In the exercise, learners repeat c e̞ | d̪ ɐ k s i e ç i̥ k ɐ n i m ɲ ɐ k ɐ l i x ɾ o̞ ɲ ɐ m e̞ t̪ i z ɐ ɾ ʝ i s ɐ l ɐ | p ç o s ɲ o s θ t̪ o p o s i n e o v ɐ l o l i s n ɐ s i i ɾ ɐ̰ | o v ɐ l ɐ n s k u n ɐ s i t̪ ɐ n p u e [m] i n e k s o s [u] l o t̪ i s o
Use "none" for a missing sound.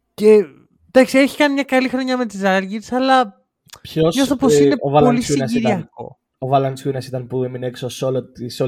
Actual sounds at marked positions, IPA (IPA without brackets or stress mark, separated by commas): m, o